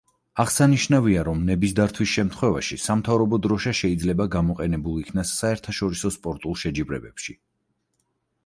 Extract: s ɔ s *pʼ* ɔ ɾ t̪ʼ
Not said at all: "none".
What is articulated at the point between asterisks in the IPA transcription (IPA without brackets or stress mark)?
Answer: pʼ